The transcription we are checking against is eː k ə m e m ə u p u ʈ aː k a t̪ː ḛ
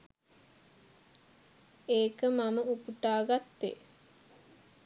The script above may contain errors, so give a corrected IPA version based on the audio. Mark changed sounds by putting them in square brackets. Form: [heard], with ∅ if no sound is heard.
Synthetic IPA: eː k ə m [a] m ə u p u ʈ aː [ɡ] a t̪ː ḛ

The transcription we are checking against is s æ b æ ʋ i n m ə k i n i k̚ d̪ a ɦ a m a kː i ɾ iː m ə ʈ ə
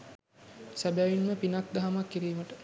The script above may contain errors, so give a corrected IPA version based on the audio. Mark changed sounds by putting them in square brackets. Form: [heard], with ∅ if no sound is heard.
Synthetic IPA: s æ b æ ʋ i n m ə [p] i n [a] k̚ d̪ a ɦ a m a kː i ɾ iː m ə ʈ ə

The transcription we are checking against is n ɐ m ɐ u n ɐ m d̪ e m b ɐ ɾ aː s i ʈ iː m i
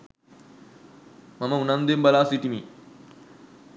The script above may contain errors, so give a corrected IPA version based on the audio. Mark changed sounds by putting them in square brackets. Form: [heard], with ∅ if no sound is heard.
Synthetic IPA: [m] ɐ m ɐ u n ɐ [n] d̪ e m b ɐ [l] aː s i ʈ [i] m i

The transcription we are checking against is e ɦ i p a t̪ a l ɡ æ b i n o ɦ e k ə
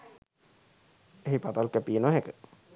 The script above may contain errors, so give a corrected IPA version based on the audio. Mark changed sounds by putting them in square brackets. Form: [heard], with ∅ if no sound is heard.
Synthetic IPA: e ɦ i p a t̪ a l [k] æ [p] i n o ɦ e k ə

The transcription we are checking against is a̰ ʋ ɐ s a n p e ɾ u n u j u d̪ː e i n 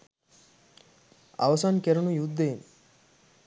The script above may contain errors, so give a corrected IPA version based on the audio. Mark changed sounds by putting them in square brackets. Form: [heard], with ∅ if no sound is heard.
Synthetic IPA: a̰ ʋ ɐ s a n [k] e ɾ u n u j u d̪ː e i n

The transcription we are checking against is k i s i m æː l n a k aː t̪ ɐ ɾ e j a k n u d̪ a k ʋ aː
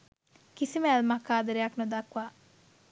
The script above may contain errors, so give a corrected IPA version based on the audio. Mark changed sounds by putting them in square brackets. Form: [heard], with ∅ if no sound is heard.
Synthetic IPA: k i s i m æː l [m] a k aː [d̪] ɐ ɾ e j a k n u d̪ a k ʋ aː

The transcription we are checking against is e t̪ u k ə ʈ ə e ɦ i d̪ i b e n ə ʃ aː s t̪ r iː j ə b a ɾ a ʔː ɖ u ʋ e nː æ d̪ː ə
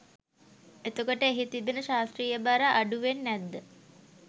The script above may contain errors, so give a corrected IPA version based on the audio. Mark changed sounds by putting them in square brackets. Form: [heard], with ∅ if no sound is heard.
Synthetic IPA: e t̪ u k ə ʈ ə e ɦ i [t̪] i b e n ə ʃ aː s t̪ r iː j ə b a ɾ a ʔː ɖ u ʋ e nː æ d̪ː ə

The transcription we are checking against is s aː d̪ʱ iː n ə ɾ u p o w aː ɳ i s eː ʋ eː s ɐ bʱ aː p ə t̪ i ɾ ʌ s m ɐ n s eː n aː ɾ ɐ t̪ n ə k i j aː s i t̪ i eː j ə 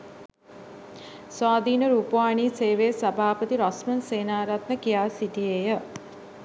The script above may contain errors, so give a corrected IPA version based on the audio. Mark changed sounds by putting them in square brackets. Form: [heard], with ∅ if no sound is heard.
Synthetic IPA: s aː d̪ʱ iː n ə ɾ u p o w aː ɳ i s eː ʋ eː s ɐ bʱ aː p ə t̪ i ɾ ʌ s m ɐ n s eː n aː ɾ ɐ t̪ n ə k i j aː s i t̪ i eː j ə

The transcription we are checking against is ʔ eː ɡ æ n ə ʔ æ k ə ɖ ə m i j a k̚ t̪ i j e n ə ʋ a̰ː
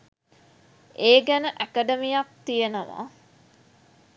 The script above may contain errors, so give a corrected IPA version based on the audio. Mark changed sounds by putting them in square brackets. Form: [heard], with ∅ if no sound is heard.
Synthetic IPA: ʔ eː ɡ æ n ə ʔ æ k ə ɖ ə m i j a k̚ t̪ i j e n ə ʋ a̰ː

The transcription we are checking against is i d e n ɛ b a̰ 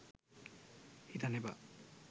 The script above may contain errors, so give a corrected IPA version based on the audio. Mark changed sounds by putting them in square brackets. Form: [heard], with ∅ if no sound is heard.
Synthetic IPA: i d [a] n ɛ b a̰

